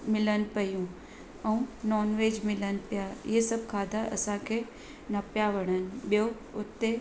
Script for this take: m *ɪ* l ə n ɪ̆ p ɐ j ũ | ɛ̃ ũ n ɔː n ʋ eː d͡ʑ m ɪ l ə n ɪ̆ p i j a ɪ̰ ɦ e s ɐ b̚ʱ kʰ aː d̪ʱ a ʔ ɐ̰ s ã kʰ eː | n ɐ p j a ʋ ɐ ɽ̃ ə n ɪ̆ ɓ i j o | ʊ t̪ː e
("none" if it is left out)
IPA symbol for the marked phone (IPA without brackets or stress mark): ɪ